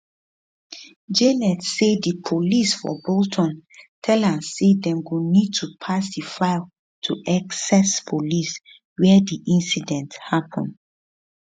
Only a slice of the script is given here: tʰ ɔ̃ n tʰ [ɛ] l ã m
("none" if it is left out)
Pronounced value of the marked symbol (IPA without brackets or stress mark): ɛ